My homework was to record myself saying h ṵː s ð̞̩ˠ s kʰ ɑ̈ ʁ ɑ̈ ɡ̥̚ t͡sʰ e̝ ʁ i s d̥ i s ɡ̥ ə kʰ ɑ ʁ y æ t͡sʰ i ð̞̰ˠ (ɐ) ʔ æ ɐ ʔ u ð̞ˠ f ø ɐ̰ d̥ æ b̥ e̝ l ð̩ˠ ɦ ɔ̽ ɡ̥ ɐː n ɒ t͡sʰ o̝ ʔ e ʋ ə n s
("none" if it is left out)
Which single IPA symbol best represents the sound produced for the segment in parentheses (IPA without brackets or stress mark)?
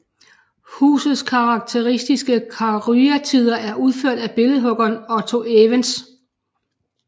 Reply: ɐ